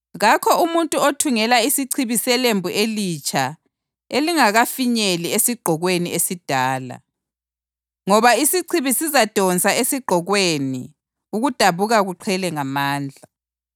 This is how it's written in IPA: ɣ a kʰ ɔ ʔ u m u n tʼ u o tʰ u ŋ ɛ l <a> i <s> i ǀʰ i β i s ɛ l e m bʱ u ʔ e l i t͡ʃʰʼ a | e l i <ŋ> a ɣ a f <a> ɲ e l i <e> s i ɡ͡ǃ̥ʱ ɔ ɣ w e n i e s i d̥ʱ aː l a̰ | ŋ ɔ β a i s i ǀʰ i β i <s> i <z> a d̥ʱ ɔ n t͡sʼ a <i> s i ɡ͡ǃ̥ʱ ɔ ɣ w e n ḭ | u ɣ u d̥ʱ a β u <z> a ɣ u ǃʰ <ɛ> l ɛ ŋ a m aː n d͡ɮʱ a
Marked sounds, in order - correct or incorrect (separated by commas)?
correct, correct, correct, incorrect, correct, correct, correct, incorrect, incorrect, correct